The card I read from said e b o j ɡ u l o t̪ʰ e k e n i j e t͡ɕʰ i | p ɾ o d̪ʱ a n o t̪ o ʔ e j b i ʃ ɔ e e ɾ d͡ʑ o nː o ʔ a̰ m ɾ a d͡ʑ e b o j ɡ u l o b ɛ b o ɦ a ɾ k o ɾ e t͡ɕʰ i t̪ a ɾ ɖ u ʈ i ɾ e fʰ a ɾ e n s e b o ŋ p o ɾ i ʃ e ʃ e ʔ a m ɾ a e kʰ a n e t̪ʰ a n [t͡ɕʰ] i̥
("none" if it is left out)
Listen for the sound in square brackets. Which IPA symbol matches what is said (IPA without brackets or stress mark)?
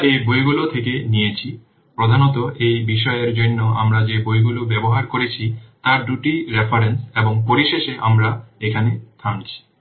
t͡ɕʰ